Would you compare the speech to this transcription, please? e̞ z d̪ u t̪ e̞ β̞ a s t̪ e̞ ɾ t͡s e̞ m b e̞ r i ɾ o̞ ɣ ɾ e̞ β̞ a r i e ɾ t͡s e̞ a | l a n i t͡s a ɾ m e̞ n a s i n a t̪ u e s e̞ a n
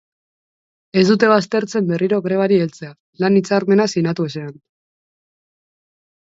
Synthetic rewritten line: e̞ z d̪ u t̪ e̞ β̞ a s t̪ e̞ ɾ t͡s e̞ m b e̞ r i ɾ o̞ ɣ ɾ e̞ β̞ a ɾ i e l t͡s e̞ a | l a n i t͡s a ɾ m e̞ n a s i n a t̪ u e s e̞ a n